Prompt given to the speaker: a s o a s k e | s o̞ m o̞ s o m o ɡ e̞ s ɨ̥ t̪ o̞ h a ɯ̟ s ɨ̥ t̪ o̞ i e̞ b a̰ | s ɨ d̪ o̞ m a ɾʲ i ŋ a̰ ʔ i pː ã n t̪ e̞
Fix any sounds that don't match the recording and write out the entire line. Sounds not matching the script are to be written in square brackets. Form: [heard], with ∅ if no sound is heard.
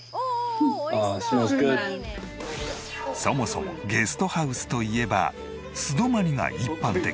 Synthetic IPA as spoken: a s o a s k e | s o̞ m o̞ s o m o ɡ e̞ s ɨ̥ t̪ o̞ h a ɯ̟ s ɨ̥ t̪ o̞ i e̞ b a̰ | s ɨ d̪ o̞ m a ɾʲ i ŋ a̰ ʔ i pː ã n t̪ e̞

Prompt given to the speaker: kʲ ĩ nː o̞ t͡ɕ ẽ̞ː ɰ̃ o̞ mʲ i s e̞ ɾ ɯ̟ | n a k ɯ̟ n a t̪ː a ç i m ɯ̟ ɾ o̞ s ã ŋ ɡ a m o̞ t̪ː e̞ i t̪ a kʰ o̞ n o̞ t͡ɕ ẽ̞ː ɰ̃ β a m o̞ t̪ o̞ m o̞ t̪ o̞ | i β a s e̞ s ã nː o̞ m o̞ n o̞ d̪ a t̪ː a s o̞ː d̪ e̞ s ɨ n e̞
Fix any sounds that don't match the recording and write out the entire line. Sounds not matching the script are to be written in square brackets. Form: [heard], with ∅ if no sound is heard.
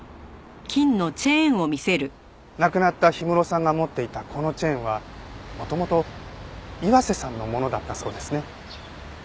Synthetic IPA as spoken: kʲ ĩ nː o̞ t͡ɕ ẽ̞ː ɰ̃ o̞ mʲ i s e̞ ɾ ɯ̟ | n a k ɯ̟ n a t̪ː a ç i m ɯ̟ ɾ o̞ s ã ŋ ɡ a m o̞ t̪ː e̞ i t̪ a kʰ o̞ n o̞ t͡ɕ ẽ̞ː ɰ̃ β a m o̞ t̪ o̞ m o̞ t̪ o̞ | i β a s e̞ s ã nː o̞ m o̞ n o̞ d̪ a t̪ː a s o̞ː d̪ e̞ s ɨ n e̞

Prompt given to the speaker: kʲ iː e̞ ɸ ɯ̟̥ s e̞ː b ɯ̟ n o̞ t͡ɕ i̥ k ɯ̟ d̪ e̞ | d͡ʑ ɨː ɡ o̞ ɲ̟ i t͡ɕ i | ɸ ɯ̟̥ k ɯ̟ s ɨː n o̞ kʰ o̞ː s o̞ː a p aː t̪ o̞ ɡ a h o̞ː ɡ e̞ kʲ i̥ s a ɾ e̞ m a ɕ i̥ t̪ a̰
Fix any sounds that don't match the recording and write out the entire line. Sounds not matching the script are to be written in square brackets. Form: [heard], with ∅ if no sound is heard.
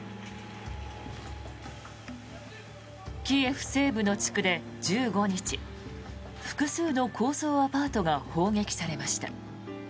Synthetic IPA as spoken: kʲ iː e̞ ɸ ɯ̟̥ s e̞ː b ɯ̟ n o̞ t͡ɕ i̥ k ɯ̟ d̪ e̞ | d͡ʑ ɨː ɡ o̞ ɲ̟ i t͡ɕ i | ɸ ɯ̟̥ k ɯ̟ s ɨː n o̞ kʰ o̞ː s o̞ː a p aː t̪ o̞ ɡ a h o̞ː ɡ e̞ kʲ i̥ s a ɾ e̞ m a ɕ i̥ t̪ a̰

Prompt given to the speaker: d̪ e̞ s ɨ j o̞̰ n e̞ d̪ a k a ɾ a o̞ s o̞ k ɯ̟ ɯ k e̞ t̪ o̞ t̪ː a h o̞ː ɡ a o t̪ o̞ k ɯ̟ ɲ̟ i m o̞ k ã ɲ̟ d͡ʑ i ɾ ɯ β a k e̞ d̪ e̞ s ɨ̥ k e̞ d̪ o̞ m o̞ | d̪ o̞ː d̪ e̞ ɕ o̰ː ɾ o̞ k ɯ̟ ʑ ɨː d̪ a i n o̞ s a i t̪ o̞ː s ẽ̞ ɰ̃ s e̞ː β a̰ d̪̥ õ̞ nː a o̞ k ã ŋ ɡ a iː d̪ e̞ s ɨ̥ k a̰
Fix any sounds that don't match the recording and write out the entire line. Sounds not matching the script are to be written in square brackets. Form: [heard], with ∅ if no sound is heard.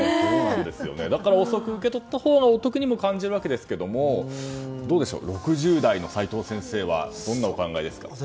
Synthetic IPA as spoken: d̪ e̞ s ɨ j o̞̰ n e̞ d̪ a k a ɾ a o̞ s o̞ k ɯ̟ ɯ k e̞ t̪ o̞ t̪ː a h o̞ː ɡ a o t̪ o̞ k ɯ̟ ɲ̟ i m o̞ k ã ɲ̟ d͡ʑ i ɾ ɯ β a k e̞ d̪ e̞ s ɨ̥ k e̞ d̪ o̞ m o̞ | d̪ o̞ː d̪ e̞ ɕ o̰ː ɾ o̞ k ɯ̟ ʑ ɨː d̪ a i n o̞ s a i t̪ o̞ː s ẽ̞ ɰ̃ s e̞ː β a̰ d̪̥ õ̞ nː a o̞ k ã ŋ ɡ a [i] d̪ e̞ s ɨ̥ k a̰

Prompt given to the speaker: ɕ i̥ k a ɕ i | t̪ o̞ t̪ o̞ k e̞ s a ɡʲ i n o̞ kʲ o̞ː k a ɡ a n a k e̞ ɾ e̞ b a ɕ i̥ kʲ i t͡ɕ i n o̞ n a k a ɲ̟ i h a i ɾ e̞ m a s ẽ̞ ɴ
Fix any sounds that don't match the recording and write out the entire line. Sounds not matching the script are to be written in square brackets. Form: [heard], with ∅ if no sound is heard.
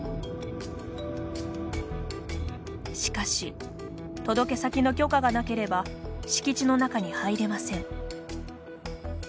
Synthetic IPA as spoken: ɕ i̥ k a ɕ i | t̪ o̞ [d̪] o̞ k e̞ s a [kʲ] i n o̞ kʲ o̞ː k a ɡ a n a k e̞ ɾ e̞ b a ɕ i̥ kʲ i t͡ɕ i n o̞ n a k a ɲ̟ i h a i ɾ e̞ m a s ẽ̞ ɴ

